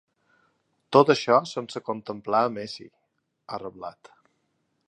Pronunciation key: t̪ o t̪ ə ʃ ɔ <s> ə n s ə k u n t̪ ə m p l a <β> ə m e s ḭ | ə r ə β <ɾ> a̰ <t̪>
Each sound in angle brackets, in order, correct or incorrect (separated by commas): correct, incorrect, incorrect, correct